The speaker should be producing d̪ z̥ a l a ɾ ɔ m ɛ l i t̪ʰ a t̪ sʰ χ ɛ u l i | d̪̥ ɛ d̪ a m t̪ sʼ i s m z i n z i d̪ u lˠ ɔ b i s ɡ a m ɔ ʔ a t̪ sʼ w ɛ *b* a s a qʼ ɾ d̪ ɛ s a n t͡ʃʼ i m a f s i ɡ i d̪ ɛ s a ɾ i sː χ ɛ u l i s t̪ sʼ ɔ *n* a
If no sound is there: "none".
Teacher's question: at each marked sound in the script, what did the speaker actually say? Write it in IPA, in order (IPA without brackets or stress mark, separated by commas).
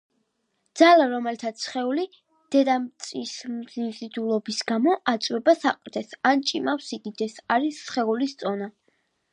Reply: b, n